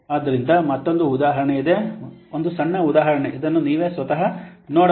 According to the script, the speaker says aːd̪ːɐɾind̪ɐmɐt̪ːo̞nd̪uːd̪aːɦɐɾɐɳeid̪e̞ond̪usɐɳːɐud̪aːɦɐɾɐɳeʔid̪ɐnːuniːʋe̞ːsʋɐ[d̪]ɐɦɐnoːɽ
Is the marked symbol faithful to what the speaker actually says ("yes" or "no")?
no